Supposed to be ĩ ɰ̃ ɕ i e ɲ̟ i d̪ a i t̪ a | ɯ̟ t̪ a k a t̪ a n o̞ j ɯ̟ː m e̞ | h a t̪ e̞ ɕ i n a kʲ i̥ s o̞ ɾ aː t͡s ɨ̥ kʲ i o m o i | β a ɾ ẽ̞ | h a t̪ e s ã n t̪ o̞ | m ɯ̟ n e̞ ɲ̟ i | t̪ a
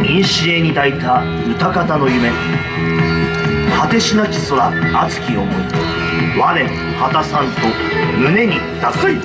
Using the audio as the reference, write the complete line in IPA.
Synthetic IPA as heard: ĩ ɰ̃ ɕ i e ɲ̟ i d̪ a i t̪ a | ɯ̟ t̪ a k a t̪ a n o̞ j ɯ̟ m e̞ | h a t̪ e̞ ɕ i n a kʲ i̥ s o̞ ɾ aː t͡s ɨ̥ kʲ i o m o i | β a ɾ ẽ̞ | h a t̪ a s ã n t̪ o̞ | m ɯ̟ n e̞ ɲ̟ i | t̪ a